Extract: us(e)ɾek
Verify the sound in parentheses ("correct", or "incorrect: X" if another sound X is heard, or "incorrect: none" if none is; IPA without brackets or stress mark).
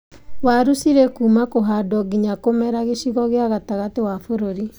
incorrect: i